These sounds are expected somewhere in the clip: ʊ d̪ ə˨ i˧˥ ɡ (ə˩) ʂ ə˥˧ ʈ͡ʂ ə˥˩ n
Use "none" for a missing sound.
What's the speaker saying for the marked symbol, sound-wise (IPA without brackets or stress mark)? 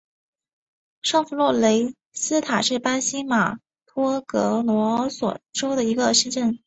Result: ə˧